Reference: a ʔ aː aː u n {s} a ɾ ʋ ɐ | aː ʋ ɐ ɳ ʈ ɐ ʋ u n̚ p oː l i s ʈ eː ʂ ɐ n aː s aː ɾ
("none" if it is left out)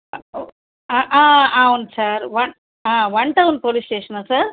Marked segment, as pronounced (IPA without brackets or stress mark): s